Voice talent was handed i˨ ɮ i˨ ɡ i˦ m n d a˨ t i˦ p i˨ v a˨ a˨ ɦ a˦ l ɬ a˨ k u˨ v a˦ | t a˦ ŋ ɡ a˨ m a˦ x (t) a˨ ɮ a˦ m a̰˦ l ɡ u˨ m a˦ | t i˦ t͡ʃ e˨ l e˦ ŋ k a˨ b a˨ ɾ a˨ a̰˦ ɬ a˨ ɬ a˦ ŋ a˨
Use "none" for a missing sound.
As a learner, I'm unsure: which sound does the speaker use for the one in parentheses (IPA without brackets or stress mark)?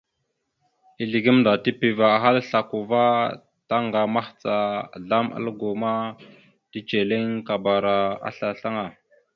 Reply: t͡s